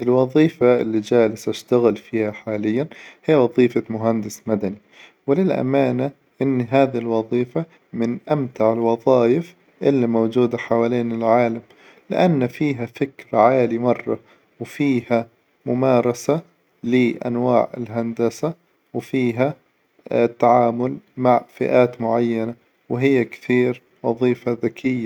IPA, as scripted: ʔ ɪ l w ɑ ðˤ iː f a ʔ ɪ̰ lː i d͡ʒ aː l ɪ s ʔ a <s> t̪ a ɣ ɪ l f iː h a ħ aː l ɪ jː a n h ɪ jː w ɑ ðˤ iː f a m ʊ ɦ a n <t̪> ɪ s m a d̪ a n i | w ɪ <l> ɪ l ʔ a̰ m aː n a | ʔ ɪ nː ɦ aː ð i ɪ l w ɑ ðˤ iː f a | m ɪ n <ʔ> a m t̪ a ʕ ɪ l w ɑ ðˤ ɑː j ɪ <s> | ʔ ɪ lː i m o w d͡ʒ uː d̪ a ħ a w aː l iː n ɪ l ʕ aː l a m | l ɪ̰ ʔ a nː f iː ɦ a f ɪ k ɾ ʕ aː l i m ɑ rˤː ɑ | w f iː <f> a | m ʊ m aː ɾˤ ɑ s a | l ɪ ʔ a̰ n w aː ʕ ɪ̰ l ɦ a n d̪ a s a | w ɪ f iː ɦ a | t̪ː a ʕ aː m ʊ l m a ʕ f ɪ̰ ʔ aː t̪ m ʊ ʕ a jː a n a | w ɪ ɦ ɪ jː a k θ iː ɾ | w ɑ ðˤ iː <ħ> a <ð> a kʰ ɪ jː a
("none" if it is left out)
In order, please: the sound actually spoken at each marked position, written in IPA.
ʃ, d̪, l, ʔ, f, h, f, ð

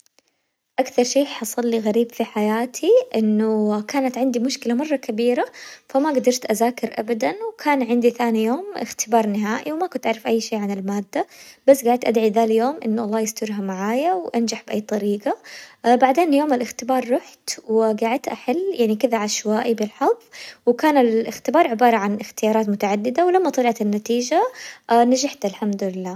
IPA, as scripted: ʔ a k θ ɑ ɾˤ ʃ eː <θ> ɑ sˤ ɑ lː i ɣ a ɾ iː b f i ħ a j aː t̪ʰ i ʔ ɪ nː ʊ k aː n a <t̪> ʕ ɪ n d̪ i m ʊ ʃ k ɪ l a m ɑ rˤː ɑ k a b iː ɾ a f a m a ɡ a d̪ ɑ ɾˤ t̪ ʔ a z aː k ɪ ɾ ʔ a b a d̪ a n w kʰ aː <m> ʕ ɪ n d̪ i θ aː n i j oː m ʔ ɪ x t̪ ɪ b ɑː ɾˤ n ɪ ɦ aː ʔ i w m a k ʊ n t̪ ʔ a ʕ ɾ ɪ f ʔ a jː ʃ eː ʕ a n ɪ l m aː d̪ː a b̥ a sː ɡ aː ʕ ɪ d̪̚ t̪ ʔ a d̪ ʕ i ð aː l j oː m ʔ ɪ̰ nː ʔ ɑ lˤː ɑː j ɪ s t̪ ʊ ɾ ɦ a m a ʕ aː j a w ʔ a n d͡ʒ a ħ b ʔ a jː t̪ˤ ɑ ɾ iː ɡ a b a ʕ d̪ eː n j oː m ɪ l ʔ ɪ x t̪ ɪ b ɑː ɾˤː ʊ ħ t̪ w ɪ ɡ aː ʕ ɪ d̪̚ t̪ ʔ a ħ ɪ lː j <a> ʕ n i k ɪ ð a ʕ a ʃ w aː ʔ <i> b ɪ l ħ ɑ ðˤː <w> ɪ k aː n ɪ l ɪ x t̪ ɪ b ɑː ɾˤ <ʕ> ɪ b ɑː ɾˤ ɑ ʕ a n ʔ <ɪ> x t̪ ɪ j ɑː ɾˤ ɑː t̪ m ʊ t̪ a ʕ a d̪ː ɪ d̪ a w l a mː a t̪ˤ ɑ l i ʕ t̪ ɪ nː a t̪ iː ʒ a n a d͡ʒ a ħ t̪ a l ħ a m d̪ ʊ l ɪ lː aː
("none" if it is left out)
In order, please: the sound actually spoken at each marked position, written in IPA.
ħ, t̪, n, a, i, w, ʕ, ɪ

